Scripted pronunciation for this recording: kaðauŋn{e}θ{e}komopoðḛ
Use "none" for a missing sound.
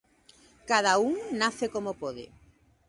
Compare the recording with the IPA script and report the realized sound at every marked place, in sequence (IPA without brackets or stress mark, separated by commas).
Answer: a, e